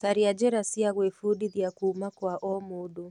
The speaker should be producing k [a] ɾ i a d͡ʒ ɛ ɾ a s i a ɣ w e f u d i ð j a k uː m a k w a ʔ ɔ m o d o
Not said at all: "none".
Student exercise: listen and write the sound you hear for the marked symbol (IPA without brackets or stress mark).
a